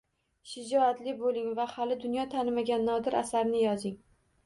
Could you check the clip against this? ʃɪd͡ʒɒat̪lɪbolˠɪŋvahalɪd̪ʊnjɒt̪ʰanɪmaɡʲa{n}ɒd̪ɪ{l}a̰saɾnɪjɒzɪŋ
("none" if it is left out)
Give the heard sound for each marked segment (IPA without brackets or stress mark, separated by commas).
nː, ɾ